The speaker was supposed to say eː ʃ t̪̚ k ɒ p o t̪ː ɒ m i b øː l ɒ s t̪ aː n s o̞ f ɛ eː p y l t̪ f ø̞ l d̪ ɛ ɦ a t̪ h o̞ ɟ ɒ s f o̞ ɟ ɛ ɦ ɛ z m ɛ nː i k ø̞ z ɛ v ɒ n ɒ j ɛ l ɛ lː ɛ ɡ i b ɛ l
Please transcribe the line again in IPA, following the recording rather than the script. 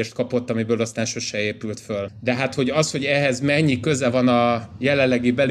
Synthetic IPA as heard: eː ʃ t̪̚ k ɒ p o t̪ː ɒ m i b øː l ɒ s t̪ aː n ʃ o̞ ʃ ɛ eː p y l t̪ f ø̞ l d̪ ɛ ɦ a t̪ h o̞ ɟ ɒ s h o̞ ɟ ɛ ɦ ɛ z m ɛ ɲː i k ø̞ z ɛ v ɒ n ɒ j ɛ l ɛ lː ɛ ɡ i b ɛ l